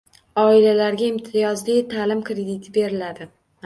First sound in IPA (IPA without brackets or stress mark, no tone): ɒ